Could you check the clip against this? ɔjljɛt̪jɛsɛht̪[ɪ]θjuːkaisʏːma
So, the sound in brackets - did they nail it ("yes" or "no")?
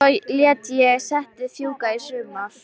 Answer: yes